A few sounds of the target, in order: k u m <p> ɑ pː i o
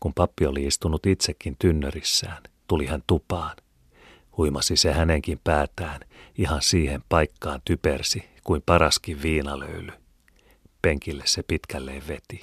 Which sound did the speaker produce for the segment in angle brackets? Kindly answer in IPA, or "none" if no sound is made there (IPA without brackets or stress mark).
p